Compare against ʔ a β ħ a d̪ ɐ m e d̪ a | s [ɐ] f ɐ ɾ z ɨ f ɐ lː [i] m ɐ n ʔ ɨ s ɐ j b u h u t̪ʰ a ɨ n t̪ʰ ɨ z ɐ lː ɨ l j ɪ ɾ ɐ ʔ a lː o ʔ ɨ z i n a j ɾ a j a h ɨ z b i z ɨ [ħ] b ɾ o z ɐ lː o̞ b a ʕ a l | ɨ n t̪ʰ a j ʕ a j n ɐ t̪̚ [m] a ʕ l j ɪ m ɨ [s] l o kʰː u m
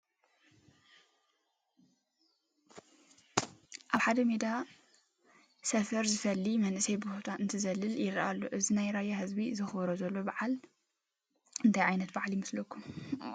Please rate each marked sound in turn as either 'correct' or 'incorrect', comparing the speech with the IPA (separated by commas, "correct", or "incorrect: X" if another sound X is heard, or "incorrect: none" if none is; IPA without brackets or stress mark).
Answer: correct, correct, incorrect: x, incorrect: b, correct